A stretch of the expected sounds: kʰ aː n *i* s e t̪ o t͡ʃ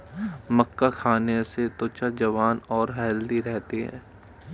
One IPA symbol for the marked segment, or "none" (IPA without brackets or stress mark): e